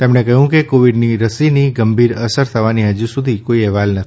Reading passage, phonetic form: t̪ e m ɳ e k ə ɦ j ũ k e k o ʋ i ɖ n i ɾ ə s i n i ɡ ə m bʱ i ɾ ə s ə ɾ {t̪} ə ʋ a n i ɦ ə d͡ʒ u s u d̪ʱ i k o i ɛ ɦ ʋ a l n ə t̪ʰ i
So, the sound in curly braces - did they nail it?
no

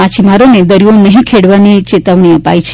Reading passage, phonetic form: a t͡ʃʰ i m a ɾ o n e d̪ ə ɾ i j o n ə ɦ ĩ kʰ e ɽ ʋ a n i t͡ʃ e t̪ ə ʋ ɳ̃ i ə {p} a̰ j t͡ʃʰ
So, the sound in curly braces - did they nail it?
yes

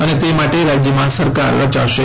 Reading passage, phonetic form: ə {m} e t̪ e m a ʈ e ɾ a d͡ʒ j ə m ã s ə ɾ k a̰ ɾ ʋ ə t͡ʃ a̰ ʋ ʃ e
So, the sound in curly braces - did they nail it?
no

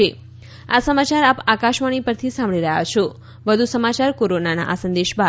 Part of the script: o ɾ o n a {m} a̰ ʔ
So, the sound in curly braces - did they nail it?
no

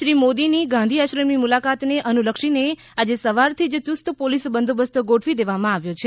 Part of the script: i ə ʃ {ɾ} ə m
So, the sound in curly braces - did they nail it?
yes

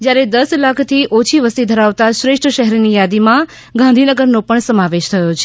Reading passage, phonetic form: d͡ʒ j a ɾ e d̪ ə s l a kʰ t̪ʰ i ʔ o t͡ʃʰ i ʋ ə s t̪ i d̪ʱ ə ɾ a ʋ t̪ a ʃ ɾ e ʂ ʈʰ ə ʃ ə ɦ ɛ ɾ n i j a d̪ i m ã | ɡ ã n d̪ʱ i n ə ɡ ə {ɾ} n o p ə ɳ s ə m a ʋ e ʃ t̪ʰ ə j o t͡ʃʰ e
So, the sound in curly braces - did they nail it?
yes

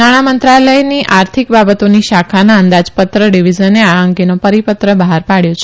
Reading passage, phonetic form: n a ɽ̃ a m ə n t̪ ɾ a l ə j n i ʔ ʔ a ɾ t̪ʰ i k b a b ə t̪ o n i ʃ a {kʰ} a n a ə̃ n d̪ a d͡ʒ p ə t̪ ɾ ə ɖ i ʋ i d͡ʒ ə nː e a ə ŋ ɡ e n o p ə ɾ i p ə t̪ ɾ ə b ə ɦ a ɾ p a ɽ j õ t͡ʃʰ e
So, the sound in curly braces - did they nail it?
yes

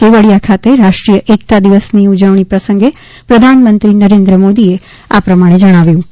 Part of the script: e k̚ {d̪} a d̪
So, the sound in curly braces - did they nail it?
no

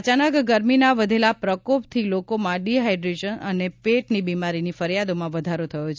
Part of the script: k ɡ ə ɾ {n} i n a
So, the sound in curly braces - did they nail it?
no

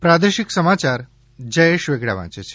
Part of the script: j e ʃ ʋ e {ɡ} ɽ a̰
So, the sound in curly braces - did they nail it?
yes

